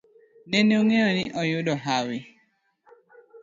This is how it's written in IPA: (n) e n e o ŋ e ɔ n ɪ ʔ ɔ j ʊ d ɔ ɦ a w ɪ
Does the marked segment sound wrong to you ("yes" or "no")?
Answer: no